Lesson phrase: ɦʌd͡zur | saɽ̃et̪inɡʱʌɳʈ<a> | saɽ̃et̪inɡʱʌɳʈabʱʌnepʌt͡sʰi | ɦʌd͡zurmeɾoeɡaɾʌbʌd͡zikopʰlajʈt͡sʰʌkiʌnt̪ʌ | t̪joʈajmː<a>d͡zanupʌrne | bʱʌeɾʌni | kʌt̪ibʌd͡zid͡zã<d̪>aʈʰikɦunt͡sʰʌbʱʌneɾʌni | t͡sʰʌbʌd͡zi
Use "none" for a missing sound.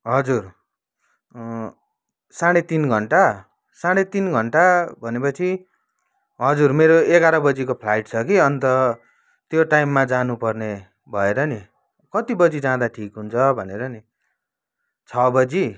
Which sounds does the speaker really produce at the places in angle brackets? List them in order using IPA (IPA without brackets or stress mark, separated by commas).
a, a, d̪